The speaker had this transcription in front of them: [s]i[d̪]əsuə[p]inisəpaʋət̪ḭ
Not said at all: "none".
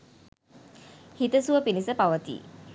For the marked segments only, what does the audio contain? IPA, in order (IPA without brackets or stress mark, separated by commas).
h, t̪, p